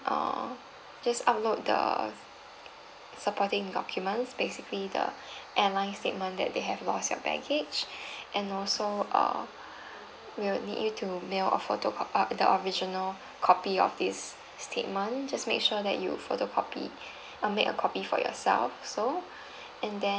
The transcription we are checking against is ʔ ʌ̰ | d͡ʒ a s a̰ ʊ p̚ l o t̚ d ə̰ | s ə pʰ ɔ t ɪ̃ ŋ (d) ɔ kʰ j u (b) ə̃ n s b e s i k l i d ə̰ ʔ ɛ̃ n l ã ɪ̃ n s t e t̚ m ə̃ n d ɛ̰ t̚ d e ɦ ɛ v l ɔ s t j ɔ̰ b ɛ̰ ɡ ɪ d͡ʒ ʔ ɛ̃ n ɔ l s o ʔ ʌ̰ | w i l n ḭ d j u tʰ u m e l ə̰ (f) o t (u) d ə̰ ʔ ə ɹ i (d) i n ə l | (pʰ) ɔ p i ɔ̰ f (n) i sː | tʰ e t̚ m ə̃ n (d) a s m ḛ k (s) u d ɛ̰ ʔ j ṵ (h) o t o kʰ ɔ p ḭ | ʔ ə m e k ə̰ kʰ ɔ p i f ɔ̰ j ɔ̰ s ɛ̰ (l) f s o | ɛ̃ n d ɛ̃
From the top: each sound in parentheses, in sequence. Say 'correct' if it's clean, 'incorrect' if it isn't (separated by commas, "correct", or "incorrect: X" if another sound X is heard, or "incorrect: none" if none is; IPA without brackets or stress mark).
correct, incorrect: m, correct, incorrect: o, incorrect: d͡ʒ, incorrect: kʰ, incorrect: d, incorrect: d͡ʒ, incorrect: ʃ, incorrect: f, correct